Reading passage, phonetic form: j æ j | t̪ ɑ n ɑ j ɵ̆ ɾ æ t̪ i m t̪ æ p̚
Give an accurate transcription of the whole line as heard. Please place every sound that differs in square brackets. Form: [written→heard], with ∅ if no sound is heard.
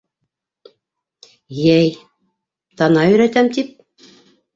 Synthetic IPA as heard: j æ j | t̪ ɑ n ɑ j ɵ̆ ɾ æ t̪ [i→æ] m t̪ [æ→i] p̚